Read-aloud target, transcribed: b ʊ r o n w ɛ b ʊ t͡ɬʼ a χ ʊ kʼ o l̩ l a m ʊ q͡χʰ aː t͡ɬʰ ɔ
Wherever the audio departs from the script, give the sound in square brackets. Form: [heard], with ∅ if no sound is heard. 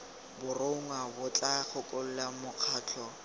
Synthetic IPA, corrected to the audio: b ʊ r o [ŋ] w [a] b ʊ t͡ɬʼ a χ ʊ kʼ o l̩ l a m ʊ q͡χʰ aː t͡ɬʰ ɔ